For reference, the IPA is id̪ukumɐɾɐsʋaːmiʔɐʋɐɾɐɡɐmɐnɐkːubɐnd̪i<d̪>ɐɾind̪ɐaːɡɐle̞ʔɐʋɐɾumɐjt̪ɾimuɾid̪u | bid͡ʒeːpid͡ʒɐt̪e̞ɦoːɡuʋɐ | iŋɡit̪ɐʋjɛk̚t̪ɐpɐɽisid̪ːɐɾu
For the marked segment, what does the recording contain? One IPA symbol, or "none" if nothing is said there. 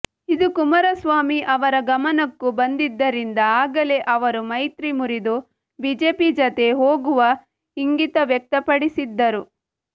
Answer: d̪ː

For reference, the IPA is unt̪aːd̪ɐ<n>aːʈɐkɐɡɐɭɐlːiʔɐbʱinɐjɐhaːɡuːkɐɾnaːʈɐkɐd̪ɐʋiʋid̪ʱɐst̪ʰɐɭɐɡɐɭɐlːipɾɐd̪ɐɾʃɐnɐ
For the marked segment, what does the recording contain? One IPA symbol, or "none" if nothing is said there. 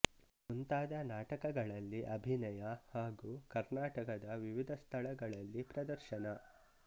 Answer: n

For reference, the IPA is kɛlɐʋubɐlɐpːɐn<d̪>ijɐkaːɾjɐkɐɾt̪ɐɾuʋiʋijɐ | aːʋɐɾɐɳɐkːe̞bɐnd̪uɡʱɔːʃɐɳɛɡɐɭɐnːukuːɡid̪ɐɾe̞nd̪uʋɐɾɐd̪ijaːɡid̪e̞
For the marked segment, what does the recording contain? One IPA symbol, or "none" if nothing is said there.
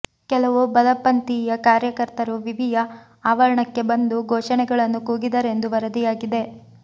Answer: t̪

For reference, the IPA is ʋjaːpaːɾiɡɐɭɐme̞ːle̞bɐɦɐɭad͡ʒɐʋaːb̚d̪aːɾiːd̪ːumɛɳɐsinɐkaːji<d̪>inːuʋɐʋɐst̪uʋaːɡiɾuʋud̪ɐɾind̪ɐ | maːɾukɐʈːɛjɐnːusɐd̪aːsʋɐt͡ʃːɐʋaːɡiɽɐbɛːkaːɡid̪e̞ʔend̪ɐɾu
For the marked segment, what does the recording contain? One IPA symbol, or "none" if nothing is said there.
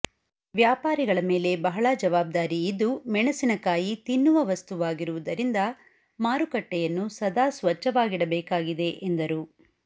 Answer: t̪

